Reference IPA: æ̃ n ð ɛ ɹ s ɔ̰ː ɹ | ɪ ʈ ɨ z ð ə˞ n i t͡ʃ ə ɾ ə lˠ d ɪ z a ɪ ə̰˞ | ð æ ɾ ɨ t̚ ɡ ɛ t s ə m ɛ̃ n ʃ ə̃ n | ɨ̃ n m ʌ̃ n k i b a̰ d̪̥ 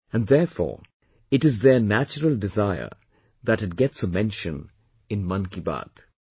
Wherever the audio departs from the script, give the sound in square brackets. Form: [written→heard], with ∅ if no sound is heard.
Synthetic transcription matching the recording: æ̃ n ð ɛ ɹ [s→f] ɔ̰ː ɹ | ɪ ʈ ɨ z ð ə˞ n [i→æ] t͡ʃ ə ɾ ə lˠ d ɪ z a ɪ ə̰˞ | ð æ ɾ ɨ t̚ ɡ ɛ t s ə m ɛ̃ n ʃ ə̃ n | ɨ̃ n m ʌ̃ n k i b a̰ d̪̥